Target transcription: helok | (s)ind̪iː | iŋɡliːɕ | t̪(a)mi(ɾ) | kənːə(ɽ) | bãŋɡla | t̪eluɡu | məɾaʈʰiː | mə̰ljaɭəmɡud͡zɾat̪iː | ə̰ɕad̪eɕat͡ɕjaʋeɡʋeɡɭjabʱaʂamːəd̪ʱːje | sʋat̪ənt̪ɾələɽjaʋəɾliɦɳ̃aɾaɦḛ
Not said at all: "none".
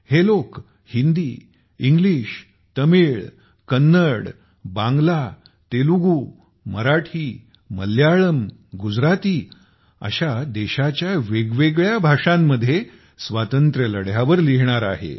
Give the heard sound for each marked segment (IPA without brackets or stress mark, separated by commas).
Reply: h, ə, ɭ, ɽ